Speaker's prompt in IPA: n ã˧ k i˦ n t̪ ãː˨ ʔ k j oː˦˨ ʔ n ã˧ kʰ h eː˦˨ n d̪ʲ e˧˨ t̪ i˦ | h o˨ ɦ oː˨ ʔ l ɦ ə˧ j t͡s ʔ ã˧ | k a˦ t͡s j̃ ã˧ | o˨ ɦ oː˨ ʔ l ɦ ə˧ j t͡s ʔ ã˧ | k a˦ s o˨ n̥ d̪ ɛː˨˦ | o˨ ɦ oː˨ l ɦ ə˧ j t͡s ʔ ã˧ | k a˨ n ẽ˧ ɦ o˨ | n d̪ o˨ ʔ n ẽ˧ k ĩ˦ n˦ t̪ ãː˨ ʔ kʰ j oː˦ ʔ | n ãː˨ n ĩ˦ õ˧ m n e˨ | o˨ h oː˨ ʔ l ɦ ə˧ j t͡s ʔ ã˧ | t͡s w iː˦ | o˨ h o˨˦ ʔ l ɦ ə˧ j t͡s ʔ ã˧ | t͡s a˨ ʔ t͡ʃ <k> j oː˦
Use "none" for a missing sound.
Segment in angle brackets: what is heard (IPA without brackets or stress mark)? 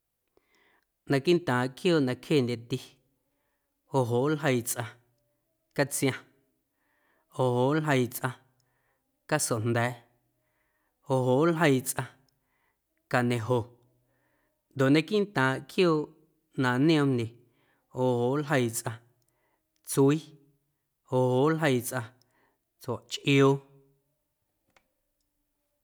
ʔ